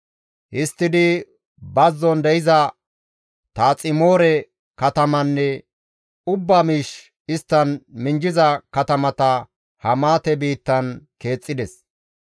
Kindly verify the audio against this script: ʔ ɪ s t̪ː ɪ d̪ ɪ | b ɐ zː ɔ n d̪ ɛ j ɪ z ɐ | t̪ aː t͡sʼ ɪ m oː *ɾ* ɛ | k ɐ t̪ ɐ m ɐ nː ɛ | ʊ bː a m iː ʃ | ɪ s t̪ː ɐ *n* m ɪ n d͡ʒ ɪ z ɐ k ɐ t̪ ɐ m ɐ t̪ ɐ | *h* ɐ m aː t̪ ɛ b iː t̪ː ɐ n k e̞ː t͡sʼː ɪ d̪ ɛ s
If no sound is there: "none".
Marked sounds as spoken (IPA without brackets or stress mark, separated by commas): ɾ, n, h